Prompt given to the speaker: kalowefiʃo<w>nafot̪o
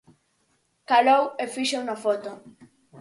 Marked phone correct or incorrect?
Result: correct